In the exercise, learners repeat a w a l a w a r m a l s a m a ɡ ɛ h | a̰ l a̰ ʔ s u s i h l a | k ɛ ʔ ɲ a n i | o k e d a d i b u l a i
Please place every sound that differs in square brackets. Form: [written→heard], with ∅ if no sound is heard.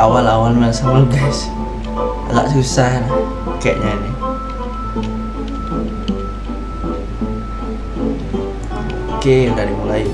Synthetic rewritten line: a w a l a w a [r→l] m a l s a m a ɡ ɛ [h→s] | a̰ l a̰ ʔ s u s [i→a] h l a | k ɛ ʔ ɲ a n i | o k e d a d i [b→m] u l a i